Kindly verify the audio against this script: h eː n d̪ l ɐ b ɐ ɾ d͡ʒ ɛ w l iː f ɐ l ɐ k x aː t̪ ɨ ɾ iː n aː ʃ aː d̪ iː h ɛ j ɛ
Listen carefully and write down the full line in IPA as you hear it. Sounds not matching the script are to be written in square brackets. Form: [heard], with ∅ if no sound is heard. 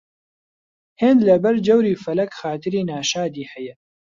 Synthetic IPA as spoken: h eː n d̪ l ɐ b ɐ ɾ d͡ʒ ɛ w [ɾ] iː f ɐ l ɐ k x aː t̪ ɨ ɾ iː n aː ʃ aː d̪ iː h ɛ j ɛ